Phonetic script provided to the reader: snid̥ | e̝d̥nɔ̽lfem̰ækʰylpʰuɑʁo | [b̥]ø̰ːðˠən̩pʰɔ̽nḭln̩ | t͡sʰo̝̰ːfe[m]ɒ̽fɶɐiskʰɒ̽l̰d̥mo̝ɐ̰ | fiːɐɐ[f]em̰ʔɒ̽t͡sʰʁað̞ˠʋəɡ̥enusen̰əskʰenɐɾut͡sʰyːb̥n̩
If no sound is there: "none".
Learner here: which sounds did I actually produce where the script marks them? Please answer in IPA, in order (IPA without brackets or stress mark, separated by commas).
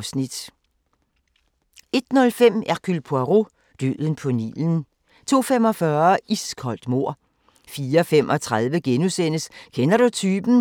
d̥, m, f